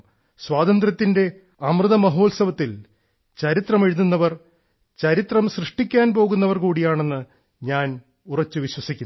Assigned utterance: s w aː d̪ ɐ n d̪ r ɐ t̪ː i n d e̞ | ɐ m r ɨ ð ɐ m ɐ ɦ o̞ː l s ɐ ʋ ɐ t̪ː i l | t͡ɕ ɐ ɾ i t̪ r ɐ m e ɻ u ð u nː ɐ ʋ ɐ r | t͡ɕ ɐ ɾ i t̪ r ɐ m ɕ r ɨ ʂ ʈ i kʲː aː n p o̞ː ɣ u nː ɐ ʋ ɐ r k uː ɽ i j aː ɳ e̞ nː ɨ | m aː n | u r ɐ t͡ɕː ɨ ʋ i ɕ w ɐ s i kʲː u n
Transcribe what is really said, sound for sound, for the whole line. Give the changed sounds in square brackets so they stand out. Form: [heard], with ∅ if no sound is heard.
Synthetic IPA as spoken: s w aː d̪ ɐ n d̪ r ɐ t̪ː i n d e̞ | ɐ m r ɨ ð ɐ m ɐ ɦ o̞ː l s ɐ ʋ ɐ t̪ː i l | t͡ɕ ɐ ɾ i t̪ r ɐ m e ɻ u ð u nː ɐ ʋ ɐ r | t͡ɕ ɐ ɾ i t̪ r ɐ m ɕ r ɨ ʂ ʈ i kʲː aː n p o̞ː ɣ u nː ɐ ʋ ɐ r k uː ɽ i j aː ɳ e̞ nː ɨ | [ɲ] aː n | u r ɐ t͡ɕː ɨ ʋ i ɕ w ɐ s i kʲː u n